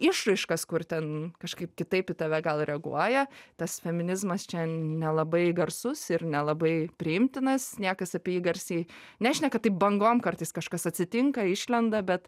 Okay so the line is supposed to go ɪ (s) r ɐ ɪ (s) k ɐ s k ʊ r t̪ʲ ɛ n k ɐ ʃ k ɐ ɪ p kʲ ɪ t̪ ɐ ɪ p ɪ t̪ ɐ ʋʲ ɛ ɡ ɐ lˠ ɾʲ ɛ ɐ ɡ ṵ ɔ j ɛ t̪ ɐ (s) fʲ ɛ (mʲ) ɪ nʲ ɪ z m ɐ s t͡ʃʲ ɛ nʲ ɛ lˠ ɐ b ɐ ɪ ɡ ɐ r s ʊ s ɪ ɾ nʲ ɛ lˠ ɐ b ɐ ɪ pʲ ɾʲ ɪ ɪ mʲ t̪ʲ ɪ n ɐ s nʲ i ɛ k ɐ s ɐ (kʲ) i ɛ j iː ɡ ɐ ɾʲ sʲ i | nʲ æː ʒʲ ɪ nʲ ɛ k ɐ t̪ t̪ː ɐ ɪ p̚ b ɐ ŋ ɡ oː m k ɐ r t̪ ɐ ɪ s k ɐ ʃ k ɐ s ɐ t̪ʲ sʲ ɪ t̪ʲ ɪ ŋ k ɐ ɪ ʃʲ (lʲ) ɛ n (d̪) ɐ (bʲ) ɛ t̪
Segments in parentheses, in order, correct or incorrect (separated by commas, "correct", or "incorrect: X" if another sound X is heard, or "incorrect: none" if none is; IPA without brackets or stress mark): incorrect: ʃ, incorrect: ʃ, correct, correct, incorrect: pʲ, correct, correct, correct